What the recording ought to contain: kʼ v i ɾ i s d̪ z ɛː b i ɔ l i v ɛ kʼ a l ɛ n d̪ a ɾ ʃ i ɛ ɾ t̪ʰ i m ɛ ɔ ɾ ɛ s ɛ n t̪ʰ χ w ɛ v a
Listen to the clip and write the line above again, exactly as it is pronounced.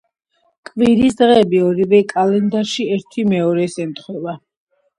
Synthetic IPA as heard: kʼ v i ɾ i s d̪ ʁ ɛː b i ɔ ɾ i v ɛ kʼ a l ɛ n d̪ a ɾ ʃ i ɛ ɾ t̪ʰ i m ɛ ɔ ɾ ɛ s ɛ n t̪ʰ χ w ɛ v a